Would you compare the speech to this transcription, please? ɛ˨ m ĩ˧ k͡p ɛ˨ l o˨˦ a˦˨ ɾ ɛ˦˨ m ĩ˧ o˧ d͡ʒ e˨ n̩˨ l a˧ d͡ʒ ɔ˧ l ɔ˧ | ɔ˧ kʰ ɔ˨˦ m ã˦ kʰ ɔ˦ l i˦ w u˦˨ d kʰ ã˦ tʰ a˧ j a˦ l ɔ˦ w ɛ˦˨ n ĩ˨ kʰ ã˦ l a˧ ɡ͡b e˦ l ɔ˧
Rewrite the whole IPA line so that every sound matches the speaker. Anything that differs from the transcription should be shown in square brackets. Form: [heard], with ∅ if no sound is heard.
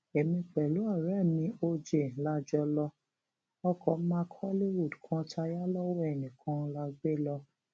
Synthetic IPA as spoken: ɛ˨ m ĩ˧ k͡p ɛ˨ l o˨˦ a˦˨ ɾ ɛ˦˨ m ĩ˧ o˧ d͡ʒ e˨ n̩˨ l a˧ d͡ʒ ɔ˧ l ɔ˧ | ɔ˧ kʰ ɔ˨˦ m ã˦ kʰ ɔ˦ l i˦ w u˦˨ d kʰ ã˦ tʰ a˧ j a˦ l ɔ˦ w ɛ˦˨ n ĩ˨ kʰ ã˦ l a˧ ɡ͡b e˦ l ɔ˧